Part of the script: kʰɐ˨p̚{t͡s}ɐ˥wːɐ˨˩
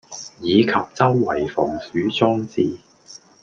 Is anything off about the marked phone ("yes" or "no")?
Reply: no